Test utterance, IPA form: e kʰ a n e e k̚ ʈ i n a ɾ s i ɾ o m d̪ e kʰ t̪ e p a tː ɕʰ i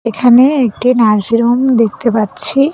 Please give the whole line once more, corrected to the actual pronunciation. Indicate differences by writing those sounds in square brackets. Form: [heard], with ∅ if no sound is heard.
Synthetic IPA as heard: e kʰ a n e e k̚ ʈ i n a ɾ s i ɾ o m d̪ e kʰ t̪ e p a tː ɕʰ i